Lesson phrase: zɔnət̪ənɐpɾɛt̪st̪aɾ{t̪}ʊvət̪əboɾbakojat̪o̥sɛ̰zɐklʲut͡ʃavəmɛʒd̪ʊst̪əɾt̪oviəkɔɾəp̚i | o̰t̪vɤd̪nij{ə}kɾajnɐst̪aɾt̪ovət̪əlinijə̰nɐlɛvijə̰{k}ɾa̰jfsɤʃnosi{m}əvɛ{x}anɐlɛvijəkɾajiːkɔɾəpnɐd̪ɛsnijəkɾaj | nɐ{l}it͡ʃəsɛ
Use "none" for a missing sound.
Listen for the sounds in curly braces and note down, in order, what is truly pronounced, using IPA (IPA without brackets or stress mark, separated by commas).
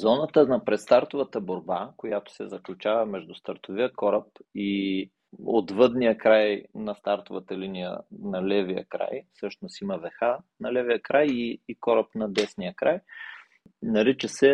t̪, ə, k, m, x, ɾ